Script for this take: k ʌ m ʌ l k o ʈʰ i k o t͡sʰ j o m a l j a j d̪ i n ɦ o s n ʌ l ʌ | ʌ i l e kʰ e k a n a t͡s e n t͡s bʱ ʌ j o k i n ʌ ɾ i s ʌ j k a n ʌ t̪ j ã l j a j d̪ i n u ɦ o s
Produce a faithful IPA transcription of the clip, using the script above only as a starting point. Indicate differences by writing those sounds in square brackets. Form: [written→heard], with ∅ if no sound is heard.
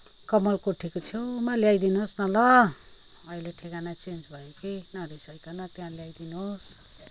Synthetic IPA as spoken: k ʌ m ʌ l k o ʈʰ i k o t͡sʰ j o m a l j a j d̪ i n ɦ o s n ʌ l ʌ | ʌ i l e [kʰ→ʈʰ] e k a n a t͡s e n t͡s bʱ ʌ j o k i n ʌ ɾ i s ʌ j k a n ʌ t̪ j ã l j a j d̪ i n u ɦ o s